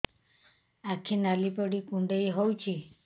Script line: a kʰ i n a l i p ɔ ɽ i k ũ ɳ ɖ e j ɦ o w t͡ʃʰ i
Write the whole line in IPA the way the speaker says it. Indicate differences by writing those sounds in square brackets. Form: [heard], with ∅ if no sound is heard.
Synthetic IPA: a kʰ i n a l i p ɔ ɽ i k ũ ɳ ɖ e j ɦ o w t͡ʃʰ i